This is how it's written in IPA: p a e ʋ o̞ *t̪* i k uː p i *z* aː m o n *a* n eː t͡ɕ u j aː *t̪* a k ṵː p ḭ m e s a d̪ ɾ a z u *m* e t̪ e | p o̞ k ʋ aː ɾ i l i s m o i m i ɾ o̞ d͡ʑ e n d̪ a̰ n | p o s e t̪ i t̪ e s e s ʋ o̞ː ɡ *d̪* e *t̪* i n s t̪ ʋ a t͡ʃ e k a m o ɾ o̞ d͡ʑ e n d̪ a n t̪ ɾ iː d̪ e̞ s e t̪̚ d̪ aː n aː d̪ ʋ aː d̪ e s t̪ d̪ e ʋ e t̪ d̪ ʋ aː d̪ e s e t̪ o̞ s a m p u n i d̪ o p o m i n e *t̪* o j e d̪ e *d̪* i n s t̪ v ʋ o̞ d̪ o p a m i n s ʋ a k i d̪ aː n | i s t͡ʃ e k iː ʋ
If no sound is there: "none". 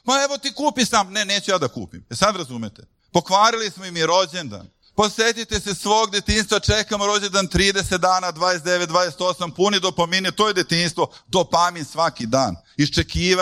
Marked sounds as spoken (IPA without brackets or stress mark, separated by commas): t̪, s, e, d̪, m, d̪, t̪, t̪, t̪